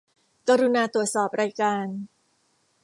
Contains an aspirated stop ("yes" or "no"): no